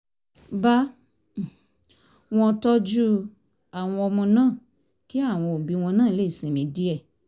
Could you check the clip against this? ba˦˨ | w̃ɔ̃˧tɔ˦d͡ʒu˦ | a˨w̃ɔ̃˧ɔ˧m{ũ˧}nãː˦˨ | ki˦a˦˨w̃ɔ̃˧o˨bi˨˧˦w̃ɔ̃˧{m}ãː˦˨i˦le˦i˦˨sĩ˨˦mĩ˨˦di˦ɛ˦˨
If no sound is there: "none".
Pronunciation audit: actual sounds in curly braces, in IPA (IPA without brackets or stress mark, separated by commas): ɔ̃˧, n